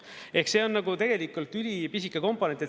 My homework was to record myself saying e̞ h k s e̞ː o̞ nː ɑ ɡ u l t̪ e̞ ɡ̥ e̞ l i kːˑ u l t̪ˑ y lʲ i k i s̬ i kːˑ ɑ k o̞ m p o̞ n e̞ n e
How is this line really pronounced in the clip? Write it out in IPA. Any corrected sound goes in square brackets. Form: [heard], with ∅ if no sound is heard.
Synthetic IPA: e̞ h k s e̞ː o̞ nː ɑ ɡ u [∅] t̪ e̞ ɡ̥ e̞ l i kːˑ u l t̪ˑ y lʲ i [p] i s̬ i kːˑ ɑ k o̞ m p o̞ n e̞ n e